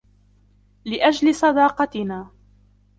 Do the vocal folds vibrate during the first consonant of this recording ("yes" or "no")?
yes